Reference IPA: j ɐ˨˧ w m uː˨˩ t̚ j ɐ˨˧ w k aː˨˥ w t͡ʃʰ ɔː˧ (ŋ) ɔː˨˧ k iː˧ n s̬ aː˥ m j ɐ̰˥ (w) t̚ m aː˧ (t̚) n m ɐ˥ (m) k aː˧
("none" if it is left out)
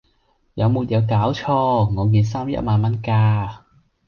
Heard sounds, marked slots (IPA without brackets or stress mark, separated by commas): ŋ, none, none, n